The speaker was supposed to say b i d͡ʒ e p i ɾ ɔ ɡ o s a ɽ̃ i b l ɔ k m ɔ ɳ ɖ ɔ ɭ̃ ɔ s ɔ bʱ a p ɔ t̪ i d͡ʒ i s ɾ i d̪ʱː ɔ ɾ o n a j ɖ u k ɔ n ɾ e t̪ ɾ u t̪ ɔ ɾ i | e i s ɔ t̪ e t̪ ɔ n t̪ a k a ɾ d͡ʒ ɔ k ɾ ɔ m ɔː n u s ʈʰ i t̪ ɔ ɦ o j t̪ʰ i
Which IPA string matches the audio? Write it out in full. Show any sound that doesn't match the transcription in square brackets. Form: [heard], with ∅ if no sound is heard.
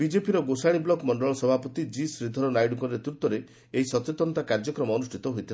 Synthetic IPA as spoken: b i d͡ʒ e p i ɾ ɔ ɡ o s a ɽ̃ i b l ɔ k m ɔ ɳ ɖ ɔ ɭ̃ ɔ s ɔ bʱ a p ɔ t̪ i d͡ʒ i s ɾ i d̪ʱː ɔ ɾ [ɔ] n a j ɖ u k ɔ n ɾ e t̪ ɾ u t̪ ɔ ɾ [e] | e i s ɔ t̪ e t̪ ɔ n t̪ a k a ɾ d͡ʒ ɔ k ɾ ɔ m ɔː n u s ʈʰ i t̪ ɔ ɦ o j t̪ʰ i